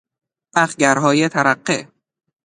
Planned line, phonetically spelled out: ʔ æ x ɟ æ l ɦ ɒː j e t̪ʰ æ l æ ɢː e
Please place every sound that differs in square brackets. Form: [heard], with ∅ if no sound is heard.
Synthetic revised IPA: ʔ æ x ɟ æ [ɾ] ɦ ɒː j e t̪ʰ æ [ɾ] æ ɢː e